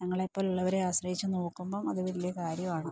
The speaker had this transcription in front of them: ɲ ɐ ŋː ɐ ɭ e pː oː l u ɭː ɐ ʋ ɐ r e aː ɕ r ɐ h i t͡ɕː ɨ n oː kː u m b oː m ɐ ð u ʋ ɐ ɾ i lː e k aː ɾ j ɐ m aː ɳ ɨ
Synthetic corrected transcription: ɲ ɐ ŋː ɐ ɭ e pː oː l u ɭː ɐ ʋ ɐ ɾ e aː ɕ r ɐ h i t͡ɕː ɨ n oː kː u m b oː m ɐ ð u ʋ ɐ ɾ i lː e k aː ɾ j ɐ m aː ɳ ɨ

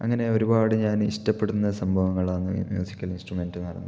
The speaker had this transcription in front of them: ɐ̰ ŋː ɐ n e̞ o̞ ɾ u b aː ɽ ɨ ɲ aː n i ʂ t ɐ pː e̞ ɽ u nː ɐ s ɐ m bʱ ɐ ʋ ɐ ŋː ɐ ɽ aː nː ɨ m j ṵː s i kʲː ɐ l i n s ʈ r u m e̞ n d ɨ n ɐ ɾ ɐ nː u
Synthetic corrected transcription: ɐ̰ ŋː ɐ n e̞ o̞ ɾ u b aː ɽ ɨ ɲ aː n i ʂ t ɐ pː e̞ ɽ u nː ɐ s ɐ m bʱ ɐ ʋ ɐ ŋː ɐ ɭ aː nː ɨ m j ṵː s i kʲː ɐ l i n s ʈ r u m e̞ n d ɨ n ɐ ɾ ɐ nː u

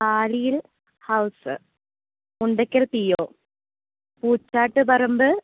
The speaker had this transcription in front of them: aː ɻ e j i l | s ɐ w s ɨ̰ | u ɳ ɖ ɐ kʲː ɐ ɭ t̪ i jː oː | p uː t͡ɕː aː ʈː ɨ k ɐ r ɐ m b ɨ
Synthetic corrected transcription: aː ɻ i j i l | h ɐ w s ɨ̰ | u ɳ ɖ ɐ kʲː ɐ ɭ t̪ i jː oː | p uː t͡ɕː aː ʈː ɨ p ɐ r ɐ m b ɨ

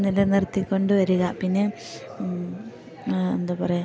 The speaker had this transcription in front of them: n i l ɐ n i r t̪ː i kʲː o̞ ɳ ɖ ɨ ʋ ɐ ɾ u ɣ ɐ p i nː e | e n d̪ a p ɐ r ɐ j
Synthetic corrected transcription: n i l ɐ n i r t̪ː i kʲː o̞ ɳ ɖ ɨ ʋ ɐ ɾ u ɣ ɐ p i nː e | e n d̪ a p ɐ r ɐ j

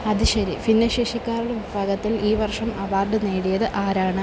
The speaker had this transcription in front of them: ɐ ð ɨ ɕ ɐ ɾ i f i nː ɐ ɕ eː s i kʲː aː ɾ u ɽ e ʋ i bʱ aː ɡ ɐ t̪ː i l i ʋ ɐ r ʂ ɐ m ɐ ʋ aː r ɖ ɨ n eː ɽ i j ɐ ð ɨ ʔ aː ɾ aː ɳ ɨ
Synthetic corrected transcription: ɐ ð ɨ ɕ ɐ ɾ i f i nː ɐ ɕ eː ʂ i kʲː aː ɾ u ɽ e ʋ i bʱ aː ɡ ɐ t̪ː i l iː ʋ ɐ r ʂ ɐ m ɐ ʋ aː r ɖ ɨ n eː ɽ i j ɐ ð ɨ ʔ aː ɾ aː ɳ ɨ

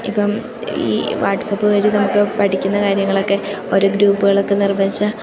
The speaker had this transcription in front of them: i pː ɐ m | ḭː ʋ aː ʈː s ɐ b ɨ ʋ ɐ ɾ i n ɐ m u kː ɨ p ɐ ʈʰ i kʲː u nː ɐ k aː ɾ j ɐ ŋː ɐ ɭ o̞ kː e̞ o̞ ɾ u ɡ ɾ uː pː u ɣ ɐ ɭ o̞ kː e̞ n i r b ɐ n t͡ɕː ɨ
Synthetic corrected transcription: i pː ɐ m | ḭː ʋ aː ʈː s ɐ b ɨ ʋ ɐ ɾ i n ɐ m u kː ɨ p ɐ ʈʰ i kʲː u nː ɐ k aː ɾ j ɐ ŋː ɐ ɭ o̞ kː e̞ o̞ ɾ u ɡ ɾ uː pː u ɣ ɐ ɭ o̞ kː e̞ n i r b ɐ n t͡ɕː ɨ

